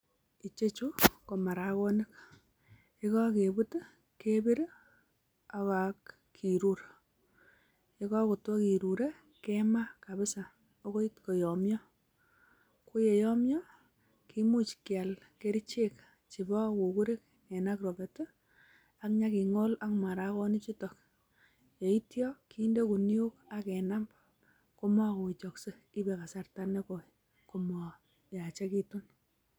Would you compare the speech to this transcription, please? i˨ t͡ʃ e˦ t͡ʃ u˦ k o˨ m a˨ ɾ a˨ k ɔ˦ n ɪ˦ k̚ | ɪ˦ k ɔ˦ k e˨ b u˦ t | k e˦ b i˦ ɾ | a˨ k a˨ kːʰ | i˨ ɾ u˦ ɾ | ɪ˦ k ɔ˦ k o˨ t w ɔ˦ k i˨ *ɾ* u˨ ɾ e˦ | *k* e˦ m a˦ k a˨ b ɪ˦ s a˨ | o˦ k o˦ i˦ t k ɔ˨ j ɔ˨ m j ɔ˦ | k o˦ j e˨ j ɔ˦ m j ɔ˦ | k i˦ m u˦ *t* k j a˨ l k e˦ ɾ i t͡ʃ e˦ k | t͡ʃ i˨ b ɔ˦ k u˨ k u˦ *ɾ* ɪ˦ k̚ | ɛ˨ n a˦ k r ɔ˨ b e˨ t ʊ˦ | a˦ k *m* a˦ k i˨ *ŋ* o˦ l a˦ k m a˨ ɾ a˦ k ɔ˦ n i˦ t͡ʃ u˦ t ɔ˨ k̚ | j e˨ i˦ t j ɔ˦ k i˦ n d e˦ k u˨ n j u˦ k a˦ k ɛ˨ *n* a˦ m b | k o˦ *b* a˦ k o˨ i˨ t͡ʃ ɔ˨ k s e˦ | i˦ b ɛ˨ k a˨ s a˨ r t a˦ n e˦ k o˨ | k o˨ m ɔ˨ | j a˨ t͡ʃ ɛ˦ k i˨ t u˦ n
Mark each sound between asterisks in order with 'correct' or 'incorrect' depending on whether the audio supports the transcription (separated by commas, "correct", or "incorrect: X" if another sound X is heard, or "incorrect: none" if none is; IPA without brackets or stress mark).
correct, correct, incorrect: t͡ʃ, correct, incorrect: ɲ, correct, correct, incorrect: m